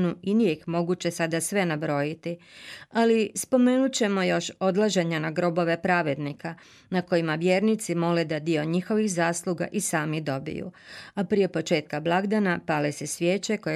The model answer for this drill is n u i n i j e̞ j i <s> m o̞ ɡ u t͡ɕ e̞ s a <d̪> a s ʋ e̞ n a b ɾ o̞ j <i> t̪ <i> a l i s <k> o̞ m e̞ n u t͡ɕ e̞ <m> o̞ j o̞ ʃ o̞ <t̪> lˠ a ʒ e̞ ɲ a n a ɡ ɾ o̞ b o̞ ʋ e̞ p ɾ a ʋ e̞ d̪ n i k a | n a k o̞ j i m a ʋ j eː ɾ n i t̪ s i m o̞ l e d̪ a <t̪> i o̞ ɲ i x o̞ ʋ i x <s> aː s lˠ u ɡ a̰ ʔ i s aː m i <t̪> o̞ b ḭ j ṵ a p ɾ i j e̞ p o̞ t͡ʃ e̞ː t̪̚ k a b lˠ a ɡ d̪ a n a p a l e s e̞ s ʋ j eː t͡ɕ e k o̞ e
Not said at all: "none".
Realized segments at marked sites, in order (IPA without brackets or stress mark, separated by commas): x, d̪, i, i, p, m, d̪, d̪, z, d̪